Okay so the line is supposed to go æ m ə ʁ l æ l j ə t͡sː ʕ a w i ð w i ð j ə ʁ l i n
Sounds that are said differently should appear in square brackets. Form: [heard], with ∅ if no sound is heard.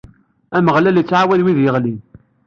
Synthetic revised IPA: æ m ə ʁ l æ l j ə t͡sː ʕ a w [æ] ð w i ð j ə ʁ l i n